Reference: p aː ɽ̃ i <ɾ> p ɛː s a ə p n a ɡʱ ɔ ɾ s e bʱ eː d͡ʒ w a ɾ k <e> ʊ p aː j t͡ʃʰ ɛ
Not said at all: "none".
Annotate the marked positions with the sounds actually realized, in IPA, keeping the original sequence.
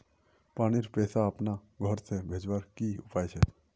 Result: ɾ, i

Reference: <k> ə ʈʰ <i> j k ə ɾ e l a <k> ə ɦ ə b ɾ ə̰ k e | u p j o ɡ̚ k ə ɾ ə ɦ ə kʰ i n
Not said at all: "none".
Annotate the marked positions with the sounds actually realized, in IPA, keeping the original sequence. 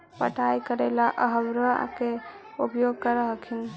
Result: p, a, ʔ

